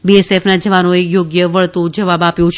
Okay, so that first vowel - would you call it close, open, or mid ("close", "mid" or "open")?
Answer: close